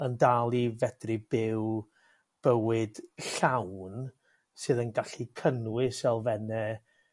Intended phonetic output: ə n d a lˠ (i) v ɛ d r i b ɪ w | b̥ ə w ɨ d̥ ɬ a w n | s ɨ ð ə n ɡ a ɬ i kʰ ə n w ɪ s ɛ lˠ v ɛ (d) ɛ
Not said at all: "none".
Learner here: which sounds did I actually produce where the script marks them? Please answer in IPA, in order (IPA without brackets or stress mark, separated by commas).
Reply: i, n